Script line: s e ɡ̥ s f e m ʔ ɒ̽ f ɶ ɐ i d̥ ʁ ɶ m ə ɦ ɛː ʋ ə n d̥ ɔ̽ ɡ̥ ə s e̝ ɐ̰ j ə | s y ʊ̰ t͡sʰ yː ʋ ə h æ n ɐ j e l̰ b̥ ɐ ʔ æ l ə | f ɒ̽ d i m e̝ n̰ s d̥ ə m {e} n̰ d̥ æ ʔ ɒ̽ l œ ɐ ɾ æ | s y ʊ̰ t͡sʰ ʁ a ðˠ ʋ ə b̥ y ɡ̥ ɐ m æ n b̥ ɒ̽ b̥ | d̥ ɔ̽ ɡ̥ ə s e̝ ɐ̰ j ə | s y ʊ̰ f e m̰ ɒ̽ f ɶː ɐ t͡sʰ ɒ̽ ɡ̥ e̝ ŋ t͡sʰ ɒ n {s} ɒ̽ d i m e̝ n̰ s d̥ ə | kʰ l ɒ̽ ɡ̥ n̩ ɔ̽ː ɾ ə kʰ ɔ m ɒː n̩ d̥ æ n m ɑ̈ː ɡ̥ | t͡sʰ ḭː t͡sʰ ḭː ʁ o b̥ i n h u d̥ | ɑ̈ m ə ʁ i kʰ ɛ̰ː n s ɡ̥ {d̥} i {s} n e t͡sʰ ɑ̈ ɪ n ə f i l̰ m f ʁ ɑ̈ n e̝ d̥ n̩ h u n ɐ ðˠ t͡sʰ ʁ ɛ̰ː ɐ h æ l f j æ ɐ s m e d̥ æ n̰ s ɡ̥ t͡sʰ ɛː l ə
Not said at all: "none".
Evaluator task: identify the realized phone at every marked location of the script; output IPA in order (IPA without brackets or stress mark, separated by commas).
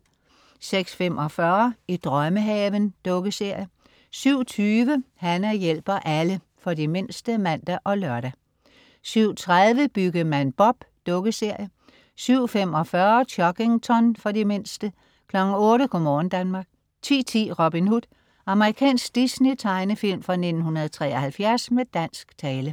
æ, f, d̥, s